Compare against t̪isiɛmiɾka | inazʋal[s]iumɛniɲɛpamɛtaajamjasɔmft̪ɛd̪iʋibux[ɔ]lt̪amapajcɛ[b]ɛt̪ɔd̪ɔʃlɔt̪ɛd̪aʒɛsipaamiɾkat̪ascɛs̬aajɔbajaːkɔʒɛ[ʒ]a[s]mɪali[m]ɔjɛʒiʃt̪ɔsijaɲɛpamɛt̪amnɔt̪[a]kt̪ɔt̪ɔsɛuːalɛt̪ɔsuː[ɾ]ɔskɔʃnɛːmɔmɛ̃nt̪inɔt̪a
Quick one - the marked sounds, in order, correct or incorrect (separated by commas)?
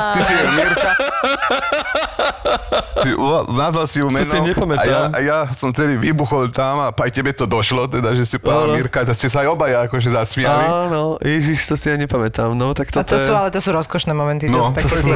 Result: correct, correct, correct, incorrect, correct, incorrect, correct, correct